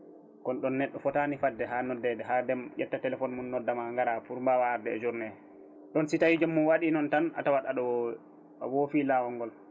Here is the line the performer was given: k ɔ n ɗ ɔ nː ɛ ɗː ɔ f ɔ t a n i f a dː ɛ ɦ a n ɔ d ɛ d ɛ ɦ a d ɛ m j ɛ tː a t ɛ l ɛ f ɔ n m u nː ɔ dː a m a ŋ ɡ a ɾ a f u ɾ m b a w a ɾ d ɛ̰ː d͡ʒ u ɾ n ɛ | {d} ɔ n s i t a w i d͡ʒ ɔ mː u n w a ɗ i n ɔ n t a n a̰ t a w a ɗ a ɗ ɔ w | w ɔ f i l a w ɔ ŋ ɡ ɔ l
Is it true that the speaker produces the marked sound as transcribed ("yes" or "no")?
no